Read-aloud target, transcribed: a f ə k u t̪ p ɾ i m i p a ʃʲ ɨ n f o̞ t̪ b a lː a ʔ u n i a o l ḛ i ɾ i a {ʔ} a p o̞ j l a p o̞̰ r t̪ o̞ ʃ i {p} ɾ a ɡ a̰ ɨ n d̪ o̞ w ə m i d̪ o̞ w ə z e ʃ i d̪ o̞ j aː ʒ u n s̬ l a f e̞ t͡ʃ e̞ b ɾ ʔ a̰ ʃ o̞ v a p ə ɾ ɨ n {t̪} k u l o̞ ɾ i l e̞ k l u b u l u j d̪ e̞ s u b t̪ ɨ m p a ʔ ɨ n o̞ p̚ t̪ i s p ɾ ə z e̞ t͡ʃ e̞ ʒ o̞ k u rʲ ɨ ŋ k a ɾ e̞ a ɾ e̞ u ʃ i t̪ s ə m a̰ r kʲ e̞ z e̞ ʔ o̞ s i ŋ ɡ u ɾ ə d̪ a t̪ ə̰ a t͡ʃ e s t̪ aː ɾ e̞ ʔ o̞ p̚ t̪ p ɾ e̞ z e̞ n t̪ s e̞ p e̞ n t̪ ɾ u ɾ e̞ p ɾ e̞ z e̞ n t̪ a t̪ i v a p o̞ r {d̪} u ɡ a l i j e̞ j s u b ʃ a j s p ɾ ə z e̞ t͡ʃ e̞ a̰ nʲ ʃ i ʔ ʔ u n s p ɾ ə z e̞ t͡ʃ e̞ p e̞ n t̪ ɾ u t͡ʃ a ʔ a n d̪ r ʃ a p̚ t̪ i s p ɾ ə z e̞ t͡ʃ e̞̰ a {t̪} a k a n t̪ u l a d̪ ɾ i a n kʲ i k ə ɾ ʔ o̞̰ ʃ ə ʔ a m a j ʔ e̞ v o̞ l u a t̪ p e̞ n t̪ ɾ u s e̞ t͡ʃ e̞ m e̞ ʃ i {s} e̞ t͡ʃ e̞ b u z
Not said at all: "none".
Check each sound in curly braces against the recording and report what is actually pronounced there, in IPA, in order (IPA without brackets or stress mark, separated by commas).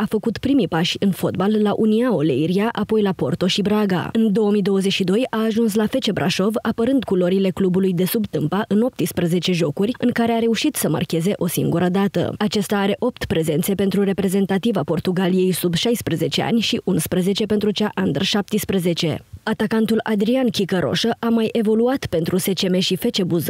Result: ʔ, b, d̪, t̪, t̪, f